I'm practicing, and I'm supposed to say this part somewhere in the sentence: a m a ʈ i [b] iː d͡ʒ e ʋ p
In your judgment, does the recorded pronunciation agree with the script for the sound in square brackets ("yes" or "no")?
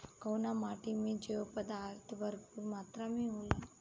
no